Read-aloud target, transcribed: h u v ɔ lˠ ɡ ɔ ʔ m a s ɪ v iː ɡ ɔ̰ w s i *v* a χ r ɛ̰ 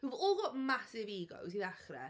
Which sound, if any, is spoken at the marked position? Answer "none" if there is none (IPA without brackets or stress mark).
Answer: ð